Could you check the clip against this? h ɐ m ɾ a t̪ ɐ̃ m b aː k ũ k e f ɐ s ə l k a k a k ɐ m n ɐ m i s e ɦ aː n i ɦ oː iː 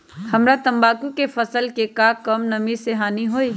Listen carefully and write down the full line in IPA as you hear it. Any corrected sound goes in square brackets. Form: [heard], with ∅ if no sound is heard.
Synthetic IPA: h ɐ m ɾ a t̪ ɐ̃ m b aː k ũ k e f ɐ s ə l k [e] k a k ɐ m n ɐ m i s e ɦ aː n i ɦ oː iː